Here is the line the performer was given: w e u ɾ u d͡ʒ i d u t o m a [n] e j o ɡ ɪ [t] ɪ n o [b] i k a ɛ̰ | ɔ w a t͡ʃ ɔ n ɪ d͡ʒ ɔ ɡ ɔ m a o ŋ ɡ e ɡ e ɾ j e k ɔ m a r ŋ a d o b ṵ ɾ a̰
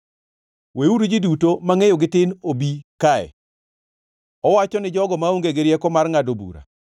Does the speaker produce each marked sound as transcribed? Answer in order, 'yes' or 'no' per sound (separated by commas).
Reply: no, yes, yes